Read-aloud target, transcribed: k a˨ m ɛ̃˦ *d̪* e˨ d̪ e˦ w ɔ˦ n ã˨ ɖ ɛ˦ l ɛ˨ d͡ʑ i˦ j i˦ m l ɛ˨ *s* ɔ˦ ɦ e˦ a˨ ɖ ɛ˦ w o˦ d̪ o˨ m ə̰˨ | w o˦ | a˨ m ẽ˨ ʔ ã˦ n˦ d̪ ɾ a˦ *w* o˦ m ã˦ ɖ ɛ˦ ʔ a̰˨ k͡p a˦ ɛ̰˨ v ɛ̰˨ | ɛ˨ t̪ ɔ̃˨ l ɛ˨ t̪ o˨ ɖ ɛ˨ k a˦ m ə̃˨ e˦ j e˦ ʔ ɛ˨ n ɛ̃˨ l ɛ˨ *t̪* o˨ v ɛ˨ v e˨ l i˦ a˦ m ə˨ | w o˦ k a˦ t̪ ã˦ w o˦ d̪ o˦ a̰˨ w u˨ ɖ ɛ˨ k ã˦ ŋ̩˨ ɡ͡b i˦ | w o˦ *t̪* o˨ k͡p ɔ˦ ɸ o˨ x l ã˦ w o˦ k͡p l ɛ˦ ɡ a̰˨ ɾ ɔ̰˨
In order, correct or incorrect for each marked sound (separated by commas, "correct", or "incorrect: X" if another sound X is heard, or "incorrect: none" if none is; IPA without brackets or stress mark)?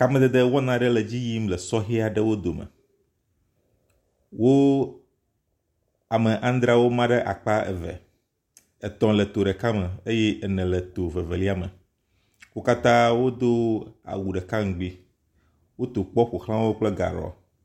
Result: correct, correct, correct, correct, correct